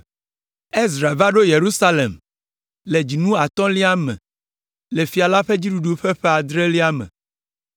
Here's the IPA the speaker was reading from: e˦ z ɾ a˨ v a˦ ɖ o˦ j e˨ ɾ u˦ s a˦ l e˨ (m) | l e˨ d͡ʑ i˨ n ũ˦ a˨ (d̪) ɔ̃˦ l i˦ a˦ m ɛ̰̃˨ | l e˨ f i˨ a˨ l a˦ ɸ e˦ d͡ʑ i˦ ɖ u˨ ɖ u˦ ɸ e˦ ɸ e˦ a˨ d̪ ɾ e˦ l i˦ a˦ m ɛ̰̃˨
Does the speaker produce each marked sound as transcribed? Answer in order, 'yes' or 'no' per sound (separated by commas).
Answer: yes, no